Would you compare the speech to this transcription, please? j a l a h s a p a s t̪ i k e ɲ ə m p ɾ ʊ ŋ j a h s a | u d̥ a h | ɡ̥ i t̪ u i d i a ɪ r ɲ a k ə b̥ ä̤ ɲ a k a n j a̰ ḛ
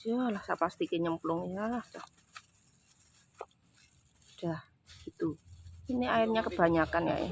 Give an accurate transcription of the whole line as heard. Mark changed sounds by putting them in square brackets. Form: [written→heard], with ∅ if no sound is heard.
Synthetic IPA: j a l a h s a p a s t̪ i k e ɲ ə m p [ɾ→l] ʊ ŋ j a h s a | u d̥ a h | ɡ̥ i t̪ u i [d→n] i a ɪ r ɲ a k ə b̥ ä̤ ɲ a k a n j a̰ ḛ